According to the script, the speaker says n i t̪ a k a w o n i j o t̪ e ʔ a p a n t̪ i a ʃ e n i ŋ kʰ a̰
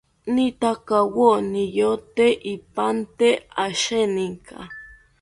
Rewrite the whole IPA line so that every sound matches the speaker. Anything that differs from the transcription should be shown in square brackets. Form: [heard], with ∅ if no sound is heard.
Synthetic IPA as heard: n i t̪ a k a w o n i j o t̪ e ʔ [i] p a n t̪ [e] a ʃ e n i ŋ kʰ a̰